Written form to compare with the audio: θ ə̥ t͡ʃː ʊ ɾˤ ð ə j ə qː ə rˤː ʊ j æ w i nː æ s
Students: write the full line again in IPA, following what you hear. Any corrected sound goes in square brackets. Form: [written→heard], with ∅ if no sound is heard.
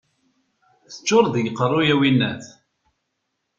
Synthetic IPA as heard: θ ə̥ t͡ʃː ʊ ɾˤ ð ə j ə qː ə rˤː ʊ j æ w i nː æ [s→θ]